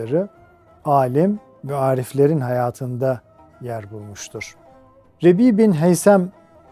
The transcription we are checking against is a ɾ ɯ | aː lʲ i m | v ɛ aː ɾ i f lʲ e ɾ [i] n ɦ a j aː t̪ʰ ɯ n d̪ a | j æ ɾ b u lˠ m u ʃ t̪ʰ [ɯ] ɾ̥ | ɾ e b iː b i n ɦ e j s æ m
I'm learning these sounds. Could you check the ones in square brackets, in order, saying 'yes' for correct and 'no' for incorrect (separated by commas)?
yes, no